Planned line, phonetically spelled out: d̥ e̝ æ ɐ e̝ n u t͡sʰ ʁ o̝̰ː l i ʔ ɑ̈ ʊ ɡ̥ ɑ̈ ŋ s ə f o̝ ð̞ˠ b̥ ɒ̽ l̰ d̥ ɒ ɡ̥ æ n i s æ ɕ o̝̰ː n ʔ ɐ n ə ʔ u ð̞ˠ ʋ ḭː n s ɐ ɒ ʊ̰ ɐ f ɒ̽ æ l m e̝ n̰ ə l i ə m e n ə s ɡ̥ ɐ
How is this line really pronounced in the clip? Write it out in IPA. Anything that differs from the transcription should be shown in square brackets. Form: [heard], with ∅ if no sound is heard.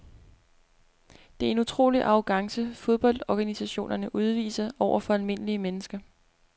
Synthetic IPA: d̥ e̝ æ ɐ e̝ n u t͡sʰ ʁ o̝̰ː l i ʔ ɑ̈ ʊ ɡ̥ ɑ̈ ŋ s ə f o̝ ð̞ˠ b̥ ɒ̽ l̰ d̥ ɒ ɡ̥ æ n i s æ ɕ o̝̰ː n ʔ ɐ n ə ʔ u ð̞ˠ ʋ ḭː [∅] s ɐ ɒ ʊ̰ ɐ f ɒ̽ æ l m e̝ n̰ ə l i ə m e n ə s ɡ̥ ɐ

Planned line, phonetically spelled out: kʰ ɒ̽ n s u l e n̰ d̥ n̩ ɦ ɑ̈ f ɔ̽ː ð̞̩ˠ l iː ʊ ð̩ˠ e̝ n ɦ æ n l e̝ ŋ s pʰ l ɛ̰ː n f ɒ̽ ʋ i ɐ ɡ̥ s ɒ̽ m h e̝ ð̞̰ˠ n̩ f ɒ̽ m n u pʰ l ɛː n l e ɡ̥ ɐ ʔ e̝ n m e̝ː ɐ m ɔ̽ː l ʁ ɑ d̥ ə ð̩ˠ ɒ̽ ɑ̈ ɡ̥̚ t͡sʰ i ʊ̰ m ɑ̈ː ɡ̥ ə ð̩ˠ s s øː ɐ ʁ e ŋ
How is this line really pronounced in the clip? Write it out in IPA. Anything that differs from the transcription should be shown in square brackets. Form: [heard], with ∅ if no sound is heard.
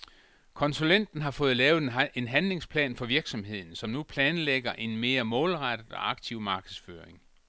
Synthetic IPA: kʰ ɒ̽ n s u l e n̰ d̥ n̩ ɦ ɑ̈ f ɔ̽ː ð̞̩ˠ l [ɛː] ʊ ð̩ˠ e̝ n ɦ æ n l e̝ ŋ s pʰ l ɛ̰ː n f ɒ̽ ʋ i ɐ ɡ̥ s ɒ̽ m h e̝ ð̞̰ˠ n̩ [s] ɒ̽ m n u pʰ l ɛː n l e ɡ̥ ɐ ʔ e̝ n m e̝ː ɐ m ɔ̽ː l ʁ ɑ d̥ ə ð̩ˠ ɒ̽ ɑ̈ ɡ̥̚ t͡sʰ i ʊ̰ m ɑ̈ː ɡ̥ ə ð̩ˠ s [f] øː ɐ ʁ e ŋ

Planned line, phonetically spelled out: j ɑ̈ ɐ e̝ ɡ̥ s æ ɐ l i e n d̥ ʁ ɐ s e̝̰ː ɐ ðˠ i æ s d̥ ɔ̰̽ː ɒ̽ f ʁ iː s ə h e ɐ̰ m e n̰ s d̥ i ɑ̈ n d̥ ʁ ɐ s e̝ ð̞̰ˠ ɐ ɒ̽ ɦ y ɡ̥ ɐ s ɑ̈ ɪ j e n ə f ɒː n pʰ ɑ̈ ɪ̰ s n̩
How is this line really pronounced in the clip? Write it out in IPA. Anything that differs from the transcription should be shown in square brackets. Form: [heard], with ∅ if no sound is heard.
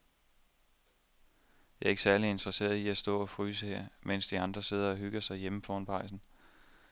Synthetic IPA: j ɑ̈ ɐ e̝ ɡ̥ s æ ɐ l i e n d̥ ʁ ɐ s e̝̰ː ɐ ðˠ i æ s d̥ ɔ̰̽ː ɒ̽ f ʁ [yː] s ə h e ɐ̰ m e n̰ s d̥ i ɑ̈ n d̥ ʁ ɐ s e̝ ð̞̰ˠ ɐ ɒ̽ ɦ y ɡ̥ ɐ s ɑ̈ ɪ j e [m] ə f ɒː n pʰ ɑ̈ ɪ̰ s n̩

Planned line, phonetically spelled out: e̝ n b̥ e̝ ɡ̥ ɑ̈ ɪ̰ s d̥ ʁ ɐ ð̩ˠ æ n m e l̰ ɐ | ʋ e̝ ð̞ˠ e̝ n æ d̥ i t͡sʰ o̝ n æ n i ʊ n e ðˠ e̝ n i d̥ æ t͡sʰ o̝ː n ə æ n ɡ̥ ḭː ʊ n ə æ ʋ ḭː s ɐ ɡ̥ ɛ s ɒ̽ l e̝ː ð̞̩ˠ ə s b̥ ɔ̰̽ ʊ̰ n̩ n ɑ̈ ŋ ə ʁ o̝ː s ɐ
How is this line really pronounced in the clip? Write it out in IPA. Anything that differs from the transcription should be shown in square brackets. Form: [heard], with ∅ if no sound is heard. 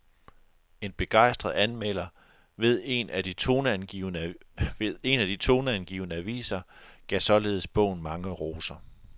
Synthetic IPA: e̝ n b̥ e̝ ɡ̥ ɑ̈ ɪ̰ s d̥ ʁ ɐ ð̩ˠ æ n m e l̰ ɐ | ʋ e̝ ð̞ˠ e̝ n æ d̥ i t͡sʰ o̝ n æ n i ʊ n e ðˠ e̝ n [æ] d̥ [i] t͡sʰ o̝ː n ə æ n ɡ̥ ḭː ʊ n ə æ ʋ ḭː s ɐ ɡ̥ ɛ s ɒ̽ l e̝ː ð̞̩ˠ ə s b̥ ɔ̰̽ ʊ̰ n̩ [m] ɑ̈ ŋ ə ʁ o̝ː s ɐ

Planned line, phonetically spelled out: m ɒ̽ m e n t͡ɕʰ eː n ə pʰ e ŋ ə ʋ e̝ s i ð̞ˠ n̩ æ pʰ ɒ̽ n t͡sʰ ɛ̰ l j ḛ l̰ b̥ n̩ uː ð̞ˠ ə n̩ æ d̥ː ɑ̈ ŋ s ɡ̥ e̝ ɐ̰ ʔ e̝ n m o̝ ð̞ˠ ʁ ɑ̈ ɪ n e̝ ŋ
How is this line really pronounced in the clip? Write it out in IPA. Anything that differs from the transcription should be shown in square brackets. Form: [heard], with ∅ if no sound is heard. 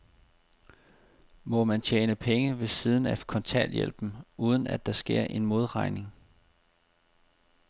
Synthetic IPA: m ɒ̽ m [æ] n t͡ɕʰ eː n ə pʰ e ŋ ə ʋ e̝ s i ð̞ˠ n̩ æ [kʰ] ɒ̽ n t͡sʰ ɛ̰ l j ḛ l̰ b̥ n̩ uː ð̞ˠ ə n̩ æ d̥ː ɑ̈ [∅] s ɡ̥ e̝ ɐ̰ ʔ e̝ n m o̝ ð̞ˠ ʁ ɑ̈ ɪ n e̝ ŋ

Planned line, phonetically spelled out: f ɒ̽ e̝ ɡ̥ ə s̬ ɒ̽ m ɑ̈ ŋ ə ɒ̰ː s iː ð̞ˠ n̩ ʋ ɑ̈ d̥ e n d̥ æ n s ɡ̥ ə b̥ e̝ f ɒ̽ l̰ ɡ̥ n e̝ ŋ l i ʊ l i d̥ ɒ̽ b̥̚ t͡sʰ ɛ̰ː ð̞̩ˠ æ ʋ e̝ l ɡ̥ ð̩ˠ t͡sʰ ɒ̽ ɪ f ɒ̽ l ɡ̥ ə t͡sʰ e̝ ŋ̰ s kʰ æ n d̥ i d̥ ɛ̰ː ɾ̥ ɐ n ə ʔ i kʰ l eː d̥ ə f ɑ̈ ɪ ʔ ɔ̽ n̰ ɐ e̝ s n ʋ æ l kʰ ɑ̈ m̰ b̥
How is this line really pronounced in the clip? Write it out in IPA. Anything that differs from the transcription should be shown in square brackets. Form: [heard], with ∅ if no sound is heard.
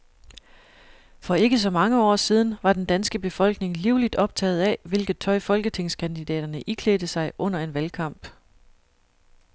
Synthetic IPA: f ɒ̽ e̝ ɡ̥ ə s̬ ɒ̽ m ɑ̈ ŋ ə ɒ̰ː s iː ð̞ˠ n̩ ʋ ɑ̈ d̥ e n d̥ æ n s ɡ̥ ə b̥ e̝ f ɒ̽ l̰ ɡ̥ n e̝ ŋ l i ʊ l i d̥ ɒ̽ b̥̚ t͡sʰ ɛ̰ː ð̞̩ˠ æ ʋ e̝ l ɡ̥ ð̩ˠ t͡sʰ ɒ̽ ɪ f ɒ̽ l ɡ̥ ə t͡sʰ e̝ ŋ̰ s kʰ æ n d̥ i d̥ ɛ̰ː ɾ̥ ɐ n ə ʔ i kʰ l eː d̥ ə [s] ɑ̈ ɪ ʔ ɔ̽ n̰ ɐ e̝ [∅] n ʋ æ l kʰ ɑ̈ m̰ b̥

